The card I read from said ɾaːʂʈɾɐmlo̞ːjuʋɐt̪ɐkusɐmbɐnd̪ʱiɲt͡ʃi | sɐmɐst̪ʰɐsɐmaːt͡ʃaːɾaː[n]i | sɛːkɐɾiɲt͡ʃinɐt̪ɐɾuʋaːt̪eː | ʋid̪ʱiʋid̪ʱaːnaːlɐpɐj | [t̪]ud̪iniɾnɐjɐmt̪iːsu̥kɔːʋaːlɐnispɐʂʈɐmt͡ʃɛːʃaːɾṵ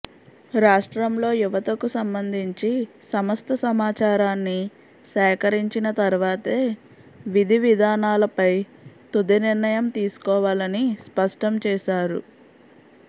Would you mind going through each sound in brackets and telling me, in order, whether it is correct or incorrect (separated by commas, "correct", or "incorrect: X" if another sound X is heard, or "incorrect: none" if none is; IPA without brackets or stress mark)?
incorrect: nː, correct